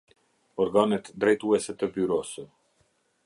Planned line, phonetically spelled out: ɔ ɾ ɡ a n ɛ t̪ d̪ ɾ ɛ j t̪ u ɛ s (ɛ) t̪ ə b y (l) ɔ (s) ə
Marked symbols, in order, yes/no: yes, no, yes

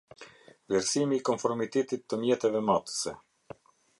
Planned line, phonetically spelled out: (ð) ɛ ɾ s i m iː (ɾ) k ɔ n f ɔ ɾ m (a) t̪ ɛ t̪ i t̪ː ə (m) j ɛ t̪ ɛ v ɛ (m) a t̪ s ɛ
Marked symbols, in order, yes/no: no, no, no, yes, yes

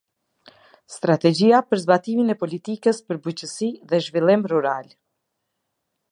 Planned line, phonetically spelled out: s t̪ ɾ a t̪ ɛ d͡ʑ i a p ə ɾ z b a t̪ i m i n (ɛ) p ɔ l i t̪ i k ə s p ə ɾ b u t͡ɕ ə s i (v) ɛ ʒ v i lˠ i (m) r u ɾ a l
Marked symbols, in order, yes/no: yes, no, yes

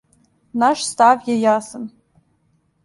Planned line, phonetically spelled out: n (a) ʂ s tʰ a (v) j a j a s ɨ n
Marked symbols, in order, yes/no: yes, yes

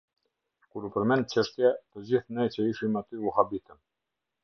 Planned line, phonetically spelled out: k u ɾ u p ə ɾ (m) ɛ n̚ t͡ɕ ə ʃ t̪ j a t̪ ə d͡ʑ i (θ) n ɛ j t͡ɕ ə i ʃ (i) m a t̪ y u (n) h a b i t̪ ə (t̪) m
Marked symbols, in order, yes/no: yes, yes, yes, no, no

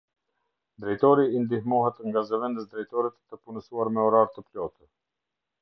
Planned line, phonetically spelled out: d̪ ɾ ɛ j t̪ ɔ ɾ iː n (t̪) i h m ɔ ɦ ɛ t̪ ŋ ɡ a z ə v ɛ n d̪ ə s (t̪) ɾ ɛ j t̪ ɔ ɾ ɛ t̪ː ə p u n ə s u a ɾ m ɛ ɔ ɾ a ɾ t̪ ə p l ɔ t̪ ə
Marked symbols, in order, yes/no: no, no

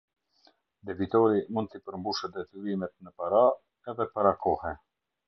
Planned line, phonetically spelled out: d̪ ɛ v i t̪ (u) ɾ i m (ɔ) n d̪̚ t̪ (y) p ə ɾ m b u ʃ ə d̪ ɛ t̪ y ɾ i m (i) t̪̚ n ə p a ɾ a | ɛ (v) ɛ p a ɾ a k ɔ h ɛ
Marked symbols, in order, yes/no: no, no, no, no, no

